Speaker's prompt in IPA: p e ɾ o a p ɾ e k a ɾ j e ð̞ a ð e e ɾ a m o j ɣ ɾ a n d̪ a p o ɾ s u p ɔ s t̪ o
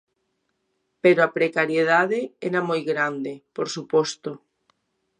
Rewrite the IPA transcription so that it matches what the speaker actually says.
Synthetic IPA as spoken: p e ɾ o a p ɾ e k a ɾ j e ð̞ a ð e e ɾ a m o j ɣ ɾ a n d̪ e p o ɾ s u p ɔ s t̪ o